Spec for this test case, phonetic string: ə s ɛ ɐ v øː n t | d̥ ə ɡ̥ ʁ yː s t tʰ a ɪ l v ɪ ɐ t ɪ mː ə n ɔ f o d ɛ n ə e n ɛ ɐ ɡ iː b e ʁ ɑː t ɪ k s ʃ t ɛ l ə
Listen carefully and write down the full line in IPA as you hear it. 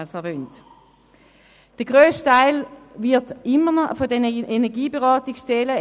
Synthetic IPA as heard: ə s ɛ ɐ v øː n t | d̥ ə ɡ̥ ʁ øː s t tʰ a ɪ l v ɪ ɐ t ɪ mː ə n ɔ f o d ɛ n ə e n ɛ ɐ ɡ iː b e ʁ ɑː t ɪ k s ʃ t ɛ l ə